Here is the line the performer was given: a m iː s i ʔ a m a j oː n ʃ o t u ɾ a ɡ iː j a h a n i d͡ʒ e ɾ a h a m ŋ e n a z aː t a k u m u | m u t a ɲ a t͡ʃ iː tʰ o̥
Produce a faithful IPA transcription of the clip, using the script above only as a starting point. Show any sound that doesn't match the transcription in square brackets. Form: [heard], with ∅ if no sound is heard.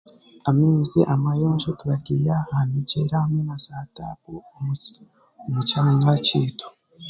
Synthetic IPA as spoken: a m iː [z] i ʔ a m a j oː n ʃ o t u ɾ a ɡ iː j a h a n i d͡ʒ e ɾ a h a m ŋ e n a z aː t a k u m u | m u [t͡ʃ] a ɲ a t͡ʃ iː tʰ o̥